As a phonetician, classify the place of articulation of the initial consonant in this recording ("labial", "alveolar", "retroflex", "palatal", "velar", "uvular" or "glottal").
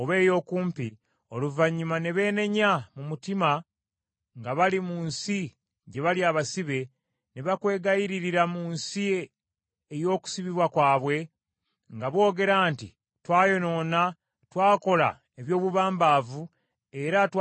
labial